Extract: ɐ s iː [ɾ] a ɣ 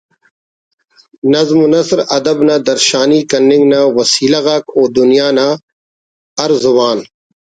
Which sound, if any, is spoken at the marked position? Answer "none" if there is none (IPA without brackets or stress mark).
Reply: l